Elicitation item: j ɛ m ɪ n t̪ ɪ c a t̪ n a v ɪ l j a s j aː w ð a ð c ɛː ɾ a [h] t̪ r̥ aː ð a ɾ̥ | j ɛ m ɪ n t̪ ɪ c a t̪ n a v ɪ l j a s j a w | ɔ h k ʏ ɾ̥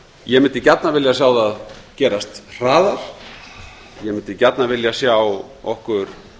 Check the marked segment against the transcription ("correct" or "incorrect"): incorrect